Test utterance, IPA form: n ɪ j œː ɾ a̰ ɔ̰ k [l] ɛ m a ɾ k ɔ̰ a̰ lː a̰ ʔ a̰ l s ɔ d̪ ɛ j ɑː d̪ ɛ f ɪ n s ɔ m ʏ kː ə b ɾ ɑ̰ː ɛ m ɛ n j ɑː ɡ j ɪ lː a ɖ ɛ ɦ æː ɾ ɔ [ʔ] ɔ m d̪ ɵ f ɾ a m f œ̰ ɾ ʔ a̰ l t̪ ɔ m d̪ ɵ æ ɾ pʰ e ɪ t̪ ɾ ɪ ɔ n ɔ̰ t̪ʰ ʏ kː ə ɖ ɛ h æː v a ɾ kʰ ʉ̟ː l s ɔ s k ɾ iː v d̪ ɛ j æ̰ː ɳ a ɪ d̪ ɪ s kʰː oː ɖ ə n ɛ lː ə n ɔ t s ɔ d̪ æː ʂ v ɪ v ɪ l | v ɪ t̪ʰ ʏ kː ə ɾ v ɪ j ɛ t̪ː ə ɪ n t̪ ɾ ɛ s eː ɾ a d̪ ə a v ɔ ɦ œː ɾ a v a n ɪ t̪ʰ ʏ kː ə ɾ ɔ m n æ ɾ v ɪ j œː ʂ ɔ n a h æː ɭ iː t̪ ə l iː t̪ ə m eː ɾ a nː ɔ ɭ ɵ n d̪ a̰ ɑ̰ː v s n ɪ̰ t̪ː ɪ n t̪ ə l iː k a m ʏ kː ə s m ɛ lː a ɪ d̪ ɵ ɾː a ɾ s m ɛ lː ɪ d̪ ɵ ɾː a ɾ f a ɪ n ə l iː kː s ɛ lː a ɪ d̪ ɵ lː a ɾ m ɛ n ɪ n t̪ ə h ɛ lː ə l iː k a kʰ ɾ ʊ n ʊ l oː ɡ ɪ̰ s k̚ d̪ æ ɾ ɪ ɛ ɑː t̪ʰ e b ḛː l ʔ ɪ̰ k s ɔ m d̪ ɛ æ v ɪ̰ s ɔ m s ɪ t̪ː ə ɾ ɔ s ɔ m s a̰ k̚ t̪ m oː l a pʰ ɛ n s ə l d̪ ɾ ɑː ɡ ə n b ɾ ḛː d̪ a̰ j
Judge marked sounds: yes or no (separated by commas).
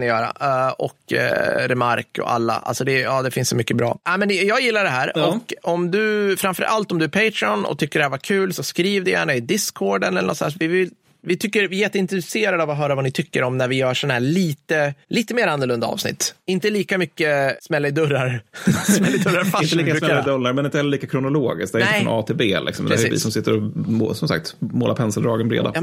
no, no